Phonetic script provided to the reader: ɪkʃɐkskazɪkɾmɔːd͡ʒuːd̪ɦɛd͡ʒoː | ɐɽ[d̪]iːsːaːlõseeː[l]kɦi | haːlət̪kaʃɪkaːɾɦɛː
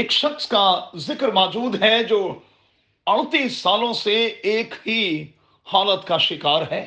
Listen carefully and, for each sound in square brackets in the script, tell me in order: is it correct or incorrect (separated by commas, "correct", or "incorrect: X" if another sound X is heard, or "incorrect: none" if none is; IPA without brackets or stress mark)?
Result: incorrect: t̪, incorrect: none